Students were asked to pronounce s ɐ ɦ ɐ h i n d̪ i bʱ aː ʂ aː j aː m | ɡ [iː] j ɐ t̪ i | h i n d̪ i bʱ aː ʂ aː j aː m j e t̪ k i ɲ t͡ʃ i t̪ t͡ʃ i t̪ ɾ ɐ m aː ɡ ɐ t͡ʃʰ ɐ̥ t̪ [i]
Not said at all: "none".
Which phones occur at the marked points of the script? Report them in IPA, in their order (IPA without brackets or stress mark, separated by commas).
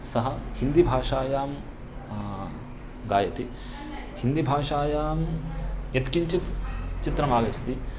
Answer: aː, i